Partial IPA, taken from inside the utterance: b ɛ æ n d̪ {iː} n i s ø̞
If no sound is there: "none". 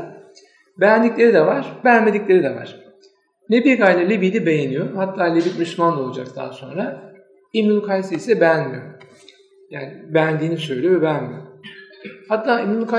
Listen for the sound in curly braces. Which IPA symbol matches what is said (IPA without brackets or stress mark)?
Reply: iː